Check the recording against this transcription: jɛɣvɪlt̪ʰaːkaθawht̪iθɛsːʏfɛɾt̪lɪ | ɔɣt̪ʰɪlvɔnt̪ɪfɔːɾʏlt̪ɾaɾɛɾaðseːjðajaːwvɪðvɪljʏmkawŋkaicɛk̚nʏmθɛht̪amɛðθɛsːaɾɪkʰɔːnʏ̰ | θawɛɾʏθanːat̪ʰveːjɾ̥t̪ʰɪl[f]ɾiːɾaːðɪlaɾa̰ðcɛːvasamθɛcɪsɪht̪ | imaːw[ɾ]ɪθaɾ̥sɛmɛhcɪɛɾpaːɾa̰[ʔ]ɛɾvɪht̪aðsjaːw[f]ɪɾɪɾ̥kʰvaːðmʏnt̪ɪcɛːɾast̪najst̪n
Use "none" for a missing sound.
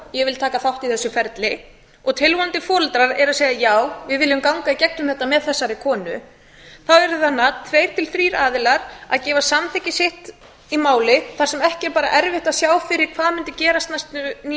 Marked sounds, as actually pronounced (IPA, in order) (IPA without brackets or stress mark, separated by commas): θ, l, ʔ, f